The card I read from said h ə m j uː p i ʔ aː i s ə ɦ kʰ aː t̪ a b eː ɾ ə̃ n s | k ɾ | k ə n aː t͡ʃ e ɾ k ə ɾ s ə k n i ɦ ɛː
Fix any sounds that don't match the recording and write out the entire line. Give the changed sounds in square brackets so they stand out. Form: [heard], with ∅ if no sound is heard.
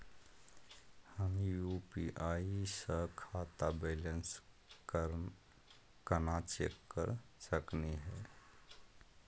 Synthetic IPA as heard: h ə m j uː p i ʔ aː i s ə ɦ kʰ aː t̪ a b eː [l] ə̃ n s | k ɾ | k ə n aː t͡ʃ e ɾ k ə ɾ s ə k n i ɦ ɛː